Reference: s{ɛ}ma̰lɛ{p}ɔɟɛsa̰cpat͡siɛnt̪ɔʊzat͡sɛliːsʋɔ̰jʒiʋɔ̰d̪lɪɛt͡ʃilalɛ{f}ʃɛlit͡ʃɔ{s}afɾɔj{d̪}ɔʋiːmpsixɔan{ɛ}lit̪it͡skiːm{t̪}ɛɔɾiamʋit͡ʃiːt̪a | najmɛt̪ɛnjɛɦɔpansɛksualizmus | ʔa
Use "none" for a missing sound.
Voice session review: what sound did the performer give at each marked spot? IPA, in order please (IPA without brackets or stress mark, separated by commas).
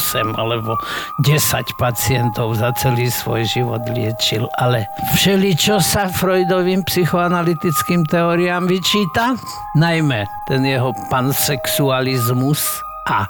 ɛ, b, f, s, d̪, a, t̪